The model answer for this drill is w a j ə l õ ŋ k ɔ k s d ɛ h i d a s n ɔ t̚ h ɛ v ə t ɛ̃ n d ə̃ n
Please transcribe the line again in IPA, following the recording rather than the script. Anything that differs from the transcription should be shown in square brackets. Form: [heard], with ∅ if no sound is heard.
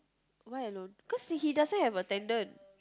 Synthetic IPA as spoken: w a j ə l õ [n] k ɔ [∅] s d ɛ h i d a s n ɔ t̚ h ɛ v ə t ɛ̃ n d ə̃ n